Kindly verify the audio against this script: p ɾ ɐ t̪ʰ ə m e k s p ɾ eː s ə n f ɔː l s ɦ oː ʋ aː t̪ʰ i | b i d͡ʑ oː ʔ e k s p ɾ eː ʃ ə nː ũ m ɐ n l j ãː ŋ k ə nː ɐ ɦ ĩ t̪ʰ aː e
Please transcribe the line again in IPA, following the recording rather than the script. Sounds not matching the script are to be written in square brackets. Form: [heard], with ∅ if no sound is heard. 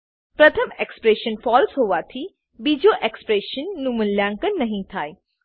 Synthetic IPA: p ɾ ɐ t̪ʰ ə m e k s p ɾ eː [ʃ] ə n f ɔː l s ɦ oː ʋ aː t̪ʰ i | b i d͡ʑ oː ʔ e k s p ɾ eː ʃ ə nː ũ m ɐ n l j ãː ŋ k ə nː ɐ ɦ ĩ t̪ʰ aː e